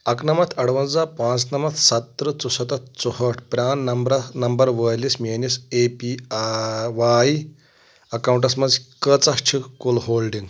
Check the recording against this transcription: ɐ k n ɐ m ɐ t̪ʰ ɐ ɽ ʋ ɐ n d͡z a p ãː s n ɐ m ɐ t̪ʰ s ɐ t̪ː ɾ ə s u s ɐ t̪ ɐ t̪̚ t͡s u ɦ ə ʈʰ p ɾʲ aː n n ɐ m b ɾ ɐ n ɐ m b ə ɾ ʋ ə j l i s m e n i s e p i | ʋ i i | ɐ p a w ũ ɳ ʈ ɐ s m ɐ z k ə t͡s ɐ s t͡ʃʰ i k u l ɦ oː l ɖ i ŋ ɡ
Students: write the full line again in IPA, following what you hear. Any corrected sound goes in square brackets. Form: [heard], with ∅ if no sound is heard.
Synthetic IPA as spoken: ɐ k n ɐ m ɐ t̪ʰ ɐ ɽ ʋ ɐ n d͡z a p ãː [t͡s] n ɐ m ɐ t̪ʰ s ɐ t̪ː ɾ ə [t͡s] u s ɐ t̪ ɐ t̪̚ t͡s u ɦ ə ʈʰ p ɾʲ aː n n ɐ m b ɾ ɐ n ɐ m b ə ɾ ʋ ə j l i s m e n i s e p i | ʋ [a] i | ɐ [k] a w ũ ɳ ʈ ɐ s m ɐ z k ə t͡s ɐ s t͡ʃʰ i k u l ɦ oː l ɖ i ŋ ɡ